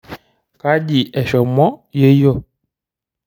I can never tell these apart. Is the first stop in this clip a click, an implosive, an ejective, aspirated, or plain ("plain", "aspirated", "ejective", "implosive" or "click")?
plain